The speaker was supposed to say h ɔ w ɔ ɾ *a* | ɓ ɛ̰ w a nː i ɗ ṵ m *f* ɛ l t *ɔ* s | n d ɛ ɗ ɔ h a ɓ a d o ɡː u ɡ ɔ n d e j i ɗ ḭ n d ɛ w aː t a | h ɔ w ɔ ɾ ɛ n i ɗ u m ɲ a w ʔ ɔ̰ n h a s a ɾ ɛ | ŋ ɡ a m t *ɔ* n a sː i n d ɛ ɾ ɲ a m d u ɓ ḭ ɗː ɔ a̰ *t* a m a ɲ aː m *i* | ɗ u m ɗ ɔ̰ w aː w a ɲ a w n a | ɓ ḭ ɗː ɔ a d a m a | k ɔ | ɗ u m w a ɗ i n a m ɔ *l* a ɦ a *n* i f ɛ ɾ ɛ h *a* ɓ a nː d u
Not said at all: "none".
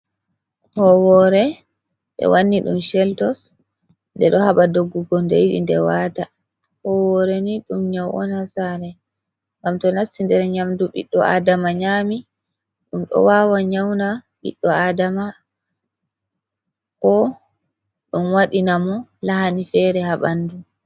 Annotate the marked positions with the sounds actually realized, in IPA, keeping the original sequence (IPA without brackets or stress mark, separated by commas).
ɛ, ʃ, ɔ, ɔ, d, i, l, n, a